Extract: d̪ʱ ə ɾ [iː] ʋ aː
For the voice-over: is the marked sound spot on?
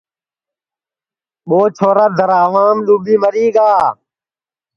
no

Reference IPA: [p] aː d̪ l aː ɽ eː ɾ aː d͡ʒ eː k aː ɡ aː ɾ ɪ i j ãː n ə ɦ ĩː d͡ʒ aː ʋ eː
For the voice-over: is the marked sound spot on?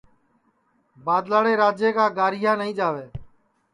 no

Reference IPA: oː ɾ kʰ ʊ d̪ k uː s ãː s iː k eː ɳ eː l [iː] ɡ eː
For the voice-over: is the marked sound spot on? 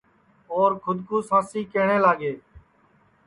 no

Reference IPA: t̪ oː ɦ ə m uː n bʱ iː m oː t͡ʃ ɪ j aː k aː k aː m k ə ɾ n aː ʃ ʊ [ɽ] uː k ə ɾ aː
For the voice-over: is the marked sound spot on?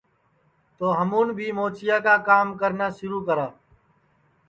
no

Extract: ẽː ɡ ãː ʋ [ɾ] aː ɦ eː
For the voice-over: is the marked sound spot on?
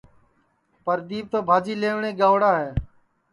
no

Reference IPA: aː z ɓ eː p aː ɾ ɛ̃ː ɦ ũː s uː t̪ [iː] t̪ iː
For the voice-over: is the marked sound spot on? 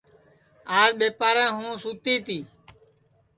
yes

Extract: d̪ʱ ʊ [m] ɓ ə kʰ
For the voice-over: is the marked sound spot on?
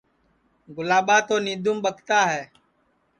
yes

